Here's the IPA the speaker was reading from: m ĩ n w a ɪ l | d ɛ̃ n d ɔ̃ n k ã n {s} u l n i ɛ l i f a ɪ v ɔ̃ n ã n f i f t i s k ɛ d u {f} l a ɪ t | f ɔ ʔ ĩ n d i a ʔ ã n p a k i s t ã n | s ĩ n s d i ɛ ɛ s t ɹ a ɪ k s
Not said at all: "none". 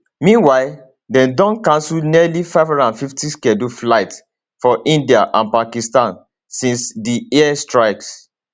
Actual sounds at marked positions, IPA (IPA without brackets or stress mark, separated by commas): s, f